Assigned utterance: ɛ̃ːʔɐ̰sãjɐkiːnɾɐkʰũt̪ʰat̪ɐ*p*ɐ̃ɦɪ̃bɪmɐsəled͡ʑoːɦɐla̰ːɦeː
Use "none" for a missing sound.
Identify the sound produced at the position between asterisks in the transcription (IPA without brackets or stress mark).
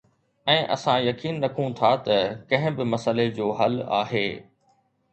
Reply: k